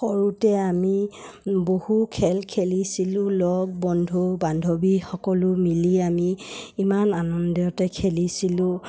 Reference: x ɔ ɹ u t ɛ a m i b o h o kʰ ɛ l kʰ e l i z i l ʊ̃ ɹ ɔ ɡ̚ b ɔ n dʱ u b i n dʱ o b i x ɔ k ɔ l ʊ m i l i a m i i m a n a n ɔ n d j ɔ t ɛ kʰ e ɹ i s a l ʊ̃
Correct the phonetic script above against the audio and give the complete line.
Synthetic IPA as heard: x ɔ ɹ u t ɛ a m i b o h u kʰ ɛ l kʰ e l i s i l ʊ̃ l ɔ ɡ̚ b ɔ n dʱ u b a n dʱ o b i x ɔ k ɔ l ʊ m i l i a m i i m a n a n ɔ n d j ɔ t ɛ kʰ e l i s i l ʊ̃